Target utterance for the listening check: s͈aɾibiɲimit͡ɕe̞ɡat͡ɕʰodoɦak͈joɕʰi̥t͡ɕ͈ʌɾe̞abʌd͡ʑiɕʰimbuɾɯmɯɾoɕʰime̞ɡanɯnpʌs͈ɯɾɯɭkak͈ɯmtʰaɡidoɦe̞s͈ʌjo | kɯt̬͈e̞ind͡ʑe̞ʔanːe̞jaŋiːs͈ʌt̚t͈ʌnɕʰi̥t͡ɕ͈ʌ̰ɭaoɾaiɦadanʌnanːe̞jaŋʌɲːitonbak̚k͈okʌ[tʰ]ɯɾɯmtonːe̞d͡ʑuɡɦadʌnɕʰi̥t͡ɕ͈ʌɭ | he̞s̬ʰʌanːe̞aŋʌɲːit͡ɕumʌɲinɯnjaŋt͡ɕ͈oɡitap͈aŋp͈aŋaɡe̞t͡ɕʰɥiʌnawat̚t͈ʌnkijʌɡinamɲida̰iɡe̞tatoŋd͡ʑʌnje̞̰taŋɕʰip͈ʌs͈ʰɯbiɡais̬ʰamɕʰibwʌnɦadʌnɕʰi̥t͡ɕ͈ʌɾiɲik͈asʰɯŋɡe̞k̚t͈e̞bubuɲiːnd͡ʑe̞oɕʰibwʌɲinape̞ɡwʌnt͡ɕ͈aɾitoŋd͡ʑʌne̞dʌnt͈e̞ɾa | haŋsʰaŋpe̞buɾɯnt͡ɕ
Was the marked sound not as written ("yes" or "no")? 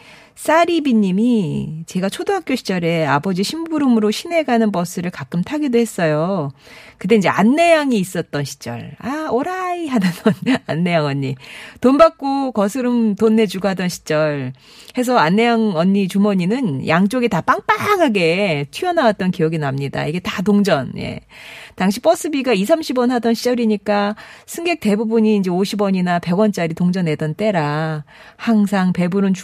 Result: yes